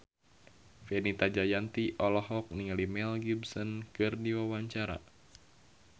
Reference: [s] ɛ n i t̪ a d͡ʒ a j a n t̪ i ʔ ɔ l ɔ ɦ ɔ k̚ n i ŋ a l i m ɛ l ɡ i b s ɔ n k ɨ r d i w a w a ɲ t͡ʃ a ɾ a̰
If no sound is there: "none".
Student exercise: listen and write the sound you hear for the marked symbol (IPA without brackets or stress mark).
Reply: f